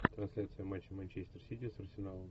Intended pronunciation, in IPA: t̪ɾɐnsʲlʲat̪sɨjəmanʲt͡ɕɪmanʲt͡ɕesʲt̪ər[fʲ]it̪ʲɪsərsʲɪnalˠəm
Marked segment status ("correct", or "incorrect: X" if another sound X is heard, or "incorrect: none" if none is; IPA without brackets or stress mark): incorrect: sʲ